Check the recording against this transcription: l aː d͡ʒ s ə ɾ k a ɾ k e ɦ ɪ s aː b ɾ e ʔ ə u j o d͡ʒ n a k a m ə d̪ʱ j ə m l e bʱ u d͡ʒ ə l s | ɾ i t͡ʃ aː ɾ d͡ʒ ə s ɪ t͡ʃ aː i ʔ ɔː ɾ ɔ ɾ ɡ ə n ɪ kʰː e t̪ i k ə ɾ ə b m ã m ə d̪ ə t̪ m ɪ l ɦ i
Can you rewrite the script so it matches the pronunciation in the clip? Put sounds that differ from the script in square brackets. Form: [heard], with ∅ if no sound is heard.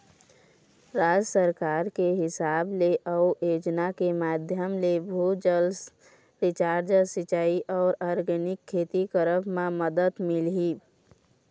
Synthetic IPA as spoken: [ɾ] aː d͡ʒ s ə ɾ k a ɾ k e ɦ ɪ s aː b [l] e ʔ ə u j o d͡ʒ n a k [e] m [a] d̪ʱ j ə m l e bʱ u d͡ʒ ə l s | ɾ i t͡ʃ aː ɾ d͡ʒ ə s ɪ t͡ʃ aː i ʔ ɔː ɾ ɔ ɾ ɡ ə n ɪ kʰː e t̪ i k ə ɾ ə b m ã m ə d̪ ə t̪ m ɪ l ɦ i

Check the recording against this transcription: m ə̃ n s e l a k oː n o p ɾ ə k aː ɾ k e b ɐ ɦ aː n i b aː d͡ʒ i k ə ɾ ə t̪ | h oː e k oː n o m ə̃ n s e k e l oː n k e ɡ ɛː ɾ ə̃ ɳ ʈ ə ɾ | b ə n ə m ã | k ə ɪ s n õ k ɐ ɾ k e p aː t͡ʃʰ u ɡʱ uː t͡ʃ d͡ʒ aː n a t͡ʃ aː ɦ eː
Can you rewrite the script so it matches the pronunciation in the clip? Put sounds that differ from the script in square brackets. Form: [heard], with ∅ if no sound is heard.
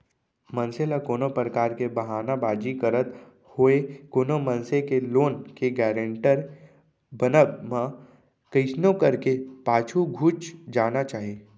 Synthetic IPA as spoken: m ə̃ n s e l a k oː n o p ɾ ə k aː ɾ k e b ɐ ɦ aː n [a] b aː d͡ʒ i k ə ɾ ə t̪ | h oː e k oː n o m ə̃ n s e k e l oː n k e ɡ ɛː ɾ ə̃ ɳ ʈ ə ɾ | b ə n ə m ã | k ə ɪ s n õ k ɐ ɾ k e p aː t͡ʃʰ u ɡʱ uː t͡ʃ d͡ʒ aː n a t͡ʃ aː ɦ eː

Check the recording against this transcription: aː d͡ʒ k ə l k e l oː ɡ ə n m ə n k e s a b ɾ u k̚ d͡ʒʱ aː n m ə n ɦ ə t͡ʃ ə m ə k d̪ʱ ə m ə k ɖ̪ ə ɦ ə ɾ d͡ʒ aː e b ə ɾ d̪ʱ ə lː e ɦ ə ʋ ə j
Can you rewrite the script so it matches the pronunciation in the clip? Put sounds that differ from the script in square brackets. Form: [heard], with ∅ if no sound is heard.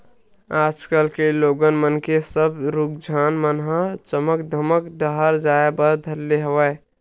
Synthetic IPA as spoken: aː d͡ʒ k ə l k e l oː ɡ ə n m ə n k e s [ə] b ɾ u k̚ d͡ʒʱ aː n m ə n ɦ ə t͡ʃ ə m ə k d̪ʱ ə m ə k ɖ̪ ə ɦ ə ɾ d͡ʒ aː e b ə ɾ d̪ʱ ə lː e ɦ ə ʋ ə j

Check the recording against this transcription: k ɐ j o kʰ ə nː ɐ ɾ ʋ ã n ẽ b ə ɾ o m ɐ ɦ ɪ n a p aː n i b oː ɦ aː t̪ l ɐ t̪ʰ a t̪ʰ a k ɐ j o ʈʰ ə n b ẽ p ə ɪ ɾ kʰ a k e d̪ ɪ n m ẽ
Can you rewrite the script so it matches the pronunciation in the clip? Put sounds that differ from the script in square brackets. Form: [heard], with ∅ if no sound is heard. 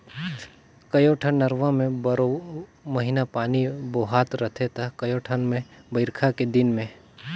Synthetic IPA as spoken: k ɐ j o [ʈʰ] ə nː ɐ ɾ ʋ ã [m] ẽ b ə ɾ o m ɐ ɦ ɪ n a p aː n i b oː ɦ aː t̪ [ɾ] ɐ t̪ʰ [e] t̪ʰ a k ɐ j o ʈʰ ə n [m] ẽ [b] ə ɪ ɾ kʰ a k e d̪ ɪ n m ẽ

